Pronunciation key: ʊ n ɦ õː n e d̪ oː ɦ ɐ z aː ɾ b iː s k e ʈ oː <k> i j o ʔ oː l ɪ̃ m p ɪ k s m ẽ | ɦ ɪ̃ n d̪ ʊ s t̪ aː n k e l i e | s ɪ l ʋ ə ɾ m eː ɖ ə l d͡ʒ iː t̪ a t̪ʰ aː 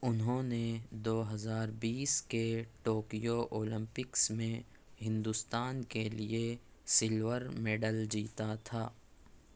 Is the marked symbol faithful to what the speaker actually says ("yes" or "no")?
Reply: yes